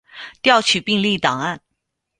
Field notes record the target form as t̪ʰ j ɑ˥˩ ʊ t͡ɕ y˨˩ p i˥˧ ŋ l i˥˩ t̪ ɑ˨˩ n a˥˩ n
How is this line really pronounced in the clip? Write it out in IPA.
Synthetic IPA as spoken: t̪ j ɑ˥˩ ʊ t͡ɕʰ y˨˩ p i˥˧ ŋ l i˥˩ t̪ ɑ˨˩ ŋ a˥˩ n

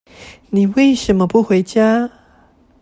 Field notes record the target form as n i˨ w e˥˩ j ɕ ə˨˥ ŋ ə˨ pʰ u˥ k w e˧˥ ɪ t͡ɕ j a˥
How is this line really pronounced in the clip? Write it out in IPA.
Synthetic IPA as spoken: n i˨ w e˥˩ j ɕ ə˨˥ m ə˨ p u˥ x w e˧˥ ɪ t͡ɕ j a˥

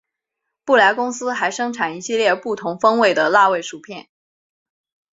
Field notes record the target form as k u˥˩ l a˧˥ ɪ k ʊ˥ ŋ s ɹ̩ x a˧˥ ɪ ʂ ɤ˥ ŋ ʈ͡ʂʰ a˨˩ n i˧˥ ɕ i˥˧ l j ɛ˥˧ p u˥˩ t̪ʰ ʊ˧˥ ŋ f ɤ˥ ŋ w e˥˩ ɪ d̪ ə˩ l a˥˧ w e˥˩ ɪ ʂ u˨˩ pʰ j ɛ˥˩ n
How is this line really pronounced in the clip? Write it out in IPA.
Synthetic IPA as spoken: p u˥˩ l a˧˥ ɪ k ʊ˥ ŋ s ɹ̩ x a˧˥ ɪ ʂ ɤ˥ ŋ ʈ͡ʂʰ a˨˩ n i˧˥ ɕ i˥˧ l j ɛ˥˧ p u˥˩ t̪ʰ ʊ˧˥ ŋ f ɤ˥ ŋ w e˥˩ ɪ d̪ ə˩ l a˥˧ w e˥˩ ɪ ʂ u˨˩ pʰ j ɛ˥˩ n

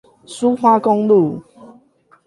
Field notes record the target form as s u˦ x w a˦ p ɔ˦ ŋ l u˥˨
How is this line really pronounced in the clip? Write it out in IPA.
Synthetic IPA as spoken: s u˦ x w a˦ k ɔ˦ ŋ l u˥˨

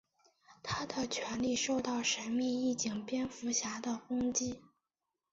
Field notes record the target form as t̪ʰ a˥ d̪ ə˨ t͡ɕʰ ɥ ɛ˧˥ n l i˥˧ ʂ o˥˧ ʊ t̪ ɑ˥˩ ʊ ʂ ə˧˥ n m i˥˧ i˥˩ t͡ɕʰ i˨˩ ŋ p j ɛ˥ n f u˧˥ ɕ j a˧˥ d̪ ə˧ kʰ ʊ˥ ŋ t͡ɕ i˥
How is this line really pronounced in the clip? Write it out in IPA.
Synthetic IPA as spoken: t̪ʰ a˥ d̪ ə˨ t͡ɕʰ ɥ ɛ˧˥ n l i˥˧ ʂ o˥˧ ʊ t̪ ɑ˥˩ ʊ ʂ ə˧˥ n m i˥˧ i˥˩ t͡ɕ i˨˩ ŋ p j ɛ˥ n f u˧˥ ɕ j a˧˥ d̪ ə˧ k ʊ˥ ŋ t͡ɕ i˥

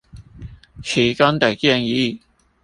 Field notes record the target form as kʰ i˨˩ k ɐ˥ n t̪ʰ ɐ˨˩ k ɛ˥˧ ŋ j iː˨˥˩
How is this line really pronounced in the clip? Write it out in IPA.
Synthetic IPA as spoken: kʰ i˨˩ k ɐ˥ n t̪ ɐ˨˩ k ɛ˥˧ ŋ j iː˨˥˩

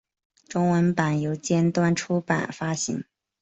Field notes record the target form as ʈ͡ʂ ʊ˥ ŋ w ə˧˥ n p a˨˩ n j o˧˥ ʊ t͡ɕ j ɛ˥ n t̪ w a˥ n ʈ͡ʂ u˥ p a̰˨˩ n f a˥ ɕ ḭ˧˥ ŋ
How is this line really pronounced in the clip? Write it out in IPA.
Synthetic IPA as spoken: ʈ͡ʂ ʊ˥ ŋ w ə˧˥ n p a˨˩ n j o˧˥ ʊ t͡ɕ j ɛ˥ n t̪ w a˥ n ʈ͡ʂʰ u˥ p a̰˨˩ n f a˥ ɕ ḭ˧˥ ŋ

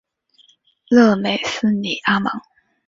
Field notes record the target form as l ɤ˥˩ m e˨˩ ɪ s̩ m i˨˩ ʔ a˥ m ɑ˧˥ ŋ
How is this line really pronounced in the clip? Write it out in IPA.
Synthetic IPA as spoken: l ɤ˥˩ m e˨˩ ɪ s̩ n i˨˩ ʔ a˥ m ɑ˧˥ ŋ

